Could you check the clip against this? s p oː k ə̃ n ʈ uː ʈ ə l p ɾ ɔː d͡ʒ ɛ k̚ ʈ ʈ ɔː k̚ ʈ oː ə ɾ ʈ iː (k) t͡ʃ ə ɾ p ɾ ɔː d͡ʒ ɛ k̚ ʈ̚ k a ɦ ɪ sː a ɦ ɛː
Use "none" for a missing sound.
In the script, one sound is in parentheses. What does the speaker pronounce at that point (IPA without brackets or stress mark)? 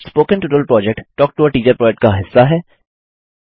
none